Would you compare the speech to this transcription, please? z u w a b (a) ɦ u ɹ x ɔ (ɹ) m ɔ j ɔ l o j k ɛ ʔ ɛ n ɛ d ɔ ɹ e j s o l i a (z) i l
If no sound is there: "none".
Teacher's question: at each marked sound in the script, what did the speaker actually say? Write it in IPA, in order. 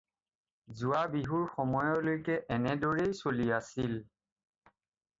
i, none, s

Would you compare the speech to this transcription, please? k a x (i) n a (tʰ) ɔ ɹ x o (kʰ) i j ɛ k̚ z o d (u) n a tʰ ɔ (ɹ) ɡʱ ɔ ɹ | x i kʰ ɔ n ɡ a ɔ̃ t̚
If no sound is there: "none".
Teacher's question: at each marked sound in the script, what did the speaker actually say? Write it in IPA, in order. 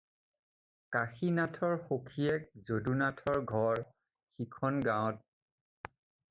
i, tʰ, kʰ, u, ɹ

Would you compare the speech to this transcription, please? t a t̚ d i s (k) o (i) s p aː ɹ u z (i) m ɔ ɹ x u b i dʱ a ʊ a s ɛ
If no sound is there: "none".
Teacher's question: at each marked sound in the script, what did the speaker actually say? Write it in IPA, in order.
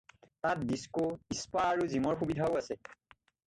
k, i, i

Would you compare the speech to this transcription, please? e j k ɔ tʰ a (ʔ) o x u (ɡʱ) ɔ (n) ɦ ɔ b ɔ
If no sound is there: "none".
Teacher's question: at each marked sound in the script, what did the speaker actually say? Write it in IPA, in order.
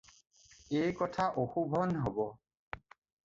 ʔ, bʱ, n

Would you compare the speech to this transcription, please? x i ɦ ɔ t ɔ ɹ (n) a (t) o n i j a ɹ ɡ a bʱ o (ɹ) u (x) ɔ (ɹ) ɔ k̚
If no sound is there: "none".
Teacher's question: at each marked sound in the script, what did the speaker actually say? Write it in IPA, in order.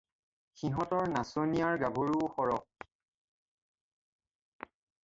n, s, ɹ, x, ɹ

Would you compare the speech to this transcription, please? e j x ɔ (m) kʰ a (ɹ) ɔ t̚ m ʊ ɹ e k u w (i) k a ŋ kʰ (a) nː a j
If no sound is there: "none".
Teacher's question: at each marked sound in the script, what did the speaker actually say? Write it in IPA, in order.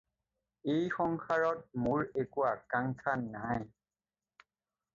ŋ, ɹ, a, a

